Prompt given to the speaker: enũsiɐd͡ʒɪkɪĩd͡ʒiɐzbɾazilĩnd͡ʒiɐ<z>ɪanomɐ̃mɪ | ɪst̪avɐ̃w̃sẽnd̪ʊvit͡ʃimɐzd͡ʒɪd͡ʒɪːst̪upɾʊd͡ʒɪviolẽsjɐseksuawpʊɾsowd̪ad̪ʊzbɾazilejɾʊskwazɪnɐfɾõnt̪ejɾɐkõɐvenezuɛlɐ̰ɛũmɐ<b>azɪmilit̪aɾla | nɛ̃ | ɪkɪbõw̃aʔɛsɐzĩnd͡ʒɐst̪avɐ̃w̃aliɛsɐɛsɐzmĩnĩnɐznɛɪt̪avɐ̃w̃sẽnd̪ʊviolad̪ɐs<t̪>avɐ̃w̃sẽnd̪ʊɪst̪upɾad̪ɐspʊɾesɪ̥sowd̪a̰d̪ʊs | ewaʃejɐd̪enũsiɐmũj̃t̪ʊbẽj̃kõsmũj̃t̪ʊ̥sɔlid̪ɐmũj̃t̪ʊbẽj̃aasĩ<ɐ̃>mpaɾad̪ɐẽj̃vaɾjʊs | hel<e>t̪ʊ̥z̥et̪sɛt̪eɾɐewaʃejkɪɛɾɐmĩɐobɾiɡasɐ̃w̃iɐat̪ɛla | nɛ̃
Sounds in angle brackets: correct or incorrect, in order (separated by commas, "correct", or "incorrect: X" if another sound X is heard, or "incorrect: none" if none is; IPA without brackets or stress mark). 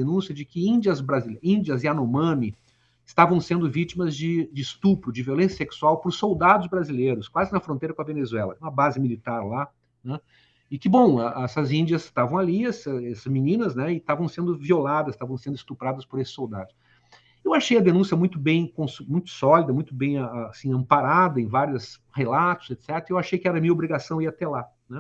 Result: correct, correct, correct, correct, incorrect: a